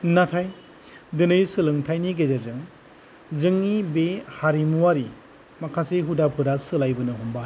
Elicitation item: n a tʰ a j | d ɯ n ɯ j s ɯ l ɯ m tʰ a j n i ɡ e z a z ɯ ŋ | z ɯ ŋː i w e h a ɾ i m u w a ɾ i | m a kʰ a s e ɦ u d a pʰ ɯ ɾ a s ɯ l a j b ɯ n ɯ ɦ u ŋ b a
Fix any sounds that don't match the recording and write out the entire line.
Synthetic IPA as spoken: n a tʰ a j | d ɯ n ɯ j s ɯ l ɯ ŋ tʰ a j n i ɡ e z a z ɯ ŋ | z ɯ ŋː i b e h a ɾ i m u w a ɾ i | m a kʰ a s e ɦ u d a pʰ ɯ ɾ a s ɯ l a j b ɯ n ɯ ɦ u m b a